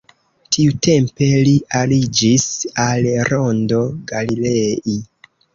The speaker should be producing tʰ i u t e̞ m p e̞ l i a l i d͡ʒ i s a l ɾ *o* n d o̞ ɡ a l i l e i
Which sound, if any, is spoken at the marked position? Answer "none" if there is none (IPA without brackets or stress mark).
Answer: o